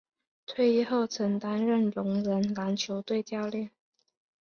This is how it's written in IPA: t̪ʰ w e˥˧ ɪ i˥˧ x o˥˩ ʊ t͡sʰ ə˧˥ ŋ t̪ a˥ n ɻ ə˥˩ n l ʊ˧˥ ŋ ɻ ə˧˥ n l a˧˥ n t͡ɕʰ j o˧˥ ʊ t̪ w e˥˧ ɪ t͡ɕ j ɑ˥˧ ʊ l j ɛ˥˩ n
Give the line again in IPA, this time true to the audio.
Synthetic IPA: t̪ʰ w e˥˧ ɪ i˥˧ x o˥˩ ʊ t͡sʰ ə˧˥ ŋ t̪ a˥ n ɻ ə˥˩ n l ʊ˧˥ ŋ ɻ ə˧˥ n l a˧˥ n t͡ɕʰ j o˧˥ ʊ t̪ w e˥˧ ɪ t͡ɕ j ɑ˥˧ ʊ l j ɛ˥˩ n